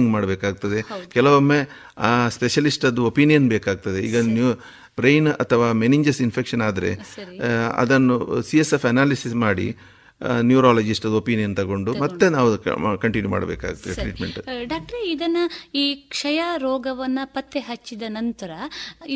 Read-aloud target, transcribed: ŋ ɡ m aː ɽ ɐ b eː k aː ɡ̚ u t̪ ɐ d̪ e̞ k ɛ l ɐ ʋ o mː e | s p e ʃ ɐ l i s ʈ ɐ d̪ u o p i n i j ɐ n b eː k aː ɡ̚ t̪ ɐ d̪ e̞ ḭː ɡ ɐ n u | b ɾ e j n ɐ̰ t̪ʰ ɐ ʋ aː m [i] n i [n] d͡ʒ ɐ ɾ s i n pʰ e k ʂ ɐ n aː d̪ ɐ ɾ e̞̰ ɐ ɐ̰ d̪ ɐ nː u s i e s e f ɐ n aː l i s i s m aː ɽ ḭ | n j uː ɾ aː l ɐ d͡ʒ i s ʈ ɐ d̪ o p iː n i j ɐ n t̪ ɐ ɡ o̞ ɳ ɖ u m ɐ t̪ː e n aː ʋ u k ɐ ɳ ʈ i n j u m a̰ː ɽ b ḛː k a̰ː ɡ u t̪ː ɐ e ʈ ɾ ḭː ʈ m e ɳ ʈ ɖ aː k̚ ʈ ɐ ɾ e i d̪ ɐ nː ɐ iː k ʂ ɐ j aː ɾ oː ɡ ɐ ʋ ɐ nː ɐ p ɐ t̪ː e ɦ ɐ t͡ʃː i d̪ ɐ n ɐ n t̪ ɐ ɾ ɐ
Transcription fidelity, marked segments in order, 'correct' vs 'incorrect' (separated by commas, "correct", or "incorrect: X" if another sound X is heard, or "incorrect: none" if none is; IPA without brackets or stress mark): incorrect: e, incorrect: ɲ